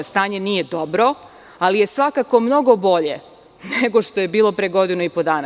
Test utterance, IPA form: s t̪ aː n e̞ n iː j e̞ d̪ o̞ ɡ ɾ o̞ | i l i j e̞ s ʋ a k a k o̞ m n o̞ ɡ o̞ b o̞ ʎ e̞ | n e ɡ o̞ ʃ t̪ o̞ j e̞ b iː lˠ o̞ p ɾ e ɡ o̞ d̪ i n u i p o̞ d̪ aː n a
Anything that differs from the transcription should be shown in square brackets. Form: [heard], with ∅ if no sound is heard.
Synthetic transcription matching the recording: s t̪ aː [ɲ] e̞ n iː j e̞ d̪ o̞ [b] ɾ o̞ | [a] l i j e̞ s ʋ a k a k o̞ m n o̞ ɡ o̞ b o̞ ʎ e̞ | n e ɡ o̞ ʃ t̪ o̞ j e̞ b iː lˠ o̞ p ɾ e ɡ o̞ d̪ i n u i p o̞ d̪ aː n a